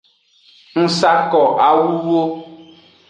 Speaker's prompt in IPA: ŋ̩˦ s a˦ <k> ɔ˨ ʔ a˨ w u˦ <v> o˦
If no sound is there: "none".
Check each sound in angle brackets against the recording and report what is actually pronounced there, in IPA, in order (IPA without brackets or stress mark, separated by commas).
k, w